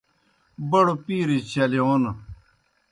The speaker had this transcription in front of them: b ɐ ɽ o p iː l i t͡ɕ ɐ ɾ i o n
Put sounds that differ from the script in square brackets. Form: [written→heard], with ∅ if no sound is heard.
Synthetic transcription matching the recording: b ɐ ɽ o p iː [l→ɾ] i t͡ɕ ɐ [ɾ→l] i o n